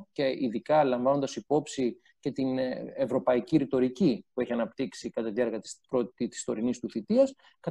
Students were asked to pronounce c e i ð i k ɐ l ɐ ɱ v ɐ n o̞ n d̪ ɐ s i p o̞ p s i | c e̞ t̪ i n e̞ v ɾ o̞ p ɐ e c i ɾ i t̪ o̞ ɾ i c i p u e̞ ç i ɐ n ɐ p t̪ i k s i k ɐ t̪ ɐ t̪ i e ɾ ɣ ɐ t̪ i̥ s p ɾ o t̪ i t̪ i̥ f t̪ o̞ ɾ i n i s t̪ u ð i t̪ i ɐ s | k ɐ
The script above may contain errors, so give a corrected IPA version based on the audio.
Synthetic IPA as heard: c e i ð i k ɐ l ɐ ɱ v ɐ n o̞ n d̪ ɐ s i p o̞ p s i | c e̞ t̪ i n e̞ v ɾ o̞ p ɐ i c i ɾ i t̪ o̞ ɾ i c i p u e̞ ç i ɐ n ɐ p t̪ i k s i k ɐ t̪ ɐ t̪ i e ɾ ɣ ɐ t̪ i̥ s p ɾ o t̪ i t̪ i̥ s t̪ o̞ ɾ i n i s t̪ u θ i t̪ i ɐ s | k ɐ